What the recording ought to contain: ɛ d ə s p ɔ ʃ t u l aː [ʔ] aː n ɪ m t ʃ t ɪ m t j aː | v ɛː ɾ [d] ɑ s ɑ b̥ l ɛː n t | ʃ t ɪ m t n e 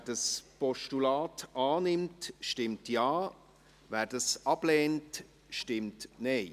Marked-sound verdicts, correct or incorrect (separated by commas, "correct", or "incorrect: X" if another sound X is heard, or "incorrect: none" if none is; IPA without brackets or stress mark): incorrect: t, correct